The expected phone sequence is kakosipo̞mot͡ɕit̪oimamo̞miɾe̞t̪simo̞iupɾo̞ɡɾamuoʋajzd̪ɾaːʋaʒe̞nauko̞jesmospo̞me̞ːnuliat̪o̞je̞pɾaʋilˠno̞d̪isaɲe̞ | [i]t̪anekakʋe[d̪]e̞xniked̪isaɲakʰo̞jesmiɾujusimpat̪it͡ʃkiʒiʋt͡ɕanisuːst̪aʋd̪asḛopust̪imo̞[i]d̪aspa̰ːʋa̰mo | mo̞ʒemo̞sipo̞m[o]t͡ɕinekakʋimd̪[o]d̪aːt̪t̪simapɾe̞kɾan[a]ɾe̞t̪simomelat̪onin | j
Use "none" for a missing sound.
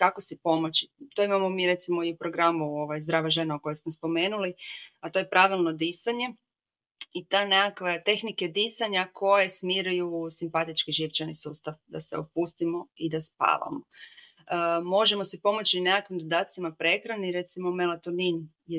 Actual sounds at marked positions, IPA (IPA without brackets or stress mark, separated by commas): i, t̪, i, o, o, i